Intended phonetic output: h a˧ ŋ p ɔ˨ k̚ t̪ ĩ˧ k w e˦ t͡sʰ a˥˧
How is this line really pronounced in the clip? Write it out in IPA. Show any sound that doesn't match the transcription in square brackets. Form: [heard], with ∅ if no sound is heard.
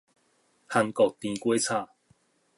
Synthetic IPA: h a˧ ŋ [k] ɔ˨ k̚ t̪ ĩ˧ k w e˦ t͡sʰ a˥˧